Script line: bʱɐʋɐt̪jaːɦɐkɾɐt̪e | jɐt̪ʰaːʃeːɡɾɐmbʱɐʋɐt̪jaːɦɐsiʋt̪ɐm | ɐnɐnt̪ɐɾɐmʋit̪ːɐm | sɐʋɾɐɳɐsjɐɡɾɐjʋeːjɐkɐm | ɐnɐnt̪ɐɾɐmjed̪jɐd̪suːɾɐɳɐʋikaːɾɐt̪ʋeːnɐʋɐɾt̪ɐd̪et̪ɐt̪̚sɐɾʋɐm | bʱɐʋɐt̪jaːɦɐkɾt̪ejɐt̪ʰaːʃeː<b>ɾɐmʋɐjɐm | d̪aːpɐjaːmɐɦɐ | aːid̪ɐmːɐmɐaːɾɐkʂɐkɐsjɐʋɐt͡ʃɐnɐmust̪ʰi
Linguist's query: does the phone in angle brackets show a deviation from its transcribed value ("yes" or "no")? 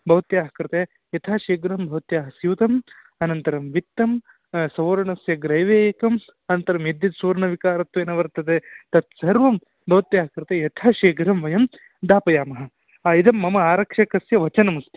yes